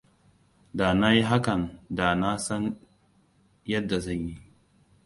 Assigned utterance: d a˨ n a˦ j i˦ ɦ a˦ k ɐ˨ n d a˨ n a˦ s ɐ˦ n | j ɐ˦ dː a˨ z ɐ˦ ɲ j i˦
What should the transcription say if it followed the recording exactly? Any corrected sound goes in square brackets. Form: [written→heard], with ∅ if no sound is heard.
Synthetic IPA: d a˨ n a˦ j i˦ ɦ a˦ k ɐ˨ n d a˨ n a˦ s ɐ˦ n | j ɐ˦ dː a˨ z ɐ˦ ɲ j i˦